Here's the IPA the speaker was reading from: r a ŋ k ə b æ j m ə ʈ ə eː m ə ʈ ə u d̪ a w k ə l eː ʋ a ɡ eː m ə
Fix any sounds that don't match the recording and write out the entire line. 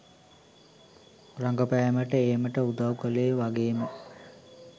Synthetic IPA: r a ŋ ɡ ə p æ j m ə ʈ ə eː m ə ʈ ə u d̪ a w k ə l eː ʋ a ɡ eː m ə